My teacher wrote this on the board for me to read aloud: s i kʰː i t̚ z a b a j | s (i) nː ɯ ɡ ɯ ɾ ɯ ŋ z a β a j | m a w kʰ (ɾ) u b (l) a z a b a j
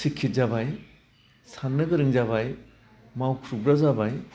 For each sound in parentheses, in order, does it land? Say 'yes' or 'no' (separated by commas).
no, yes, no